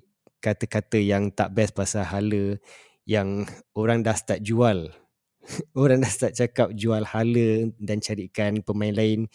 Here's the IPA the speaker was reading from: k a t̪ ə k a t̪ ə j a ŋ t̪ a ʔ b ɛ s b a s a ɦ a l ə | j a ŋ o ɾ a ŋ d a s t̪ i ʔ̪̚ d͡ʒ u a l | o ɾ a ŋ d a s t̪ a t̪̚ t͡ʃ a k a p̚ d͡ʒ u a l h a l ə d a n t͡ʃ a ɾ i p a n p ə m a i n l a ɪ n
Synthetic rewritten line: k a t̪ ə k a t̪ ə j a ŋ t̪ a ʔ b ɛ s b a s a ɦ a l ə | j a ŋ o ɾ a ŋ d a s t̪ a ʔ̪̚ d͡ʒ u a l | o ɾ a ŋ d a s t̪ a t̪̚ t͡ʃ a k a p̚ d͡ʒ u a l h a l ə d a n t͡ʃ a ɾ i k a n p ə m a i n l a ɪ n